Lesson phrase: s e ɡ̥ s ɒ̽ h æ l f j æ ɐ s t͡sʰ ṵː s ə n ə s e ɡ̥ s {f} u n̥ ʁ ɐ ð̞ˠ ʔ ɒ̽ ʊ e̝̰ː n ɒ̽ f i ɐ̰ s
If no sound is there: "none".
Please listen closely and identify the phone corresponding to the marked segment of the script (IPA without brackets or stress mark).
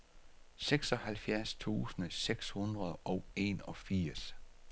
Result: h